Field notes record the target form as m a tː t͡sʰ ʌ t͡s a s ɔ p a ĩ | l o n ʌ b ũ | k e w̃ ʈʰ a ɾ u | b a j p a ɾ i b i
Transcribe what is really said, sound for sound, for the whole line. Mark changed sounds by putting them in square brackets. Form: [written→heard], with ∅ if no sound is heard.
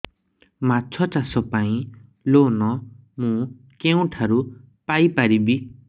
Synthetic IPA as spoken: m a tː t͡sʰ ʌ t͡s a s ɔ p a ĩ | l o n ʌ [b→m] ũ | k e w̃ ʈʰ a ɾ u | [b→p] a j p a ɾ i b i